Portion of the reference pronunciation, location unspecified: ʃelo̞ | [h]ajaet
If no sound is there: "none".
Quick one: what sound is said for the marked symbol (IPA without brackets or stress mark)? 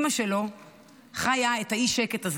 χ